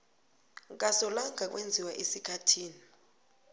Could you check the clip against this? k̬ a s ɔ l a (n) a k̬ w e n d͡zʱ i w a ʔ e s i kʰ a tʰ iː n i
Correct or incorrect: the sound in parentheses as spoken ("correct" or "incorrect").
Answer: incorrect